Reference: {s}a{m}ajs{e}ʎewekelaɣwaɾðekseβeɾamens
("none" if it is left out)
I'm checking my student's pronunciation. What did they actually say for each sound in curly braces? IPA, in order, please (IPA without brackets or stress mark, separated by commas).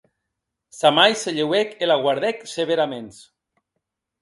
s, m, e